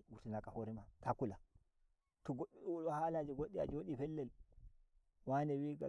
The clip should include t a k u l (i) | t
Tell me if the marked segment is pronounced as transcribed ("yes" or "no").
no